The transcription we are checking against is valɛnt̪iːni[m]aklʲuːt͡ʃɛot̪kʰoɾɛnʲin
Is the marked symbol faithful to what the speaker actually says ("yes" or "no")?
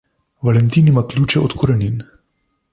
yes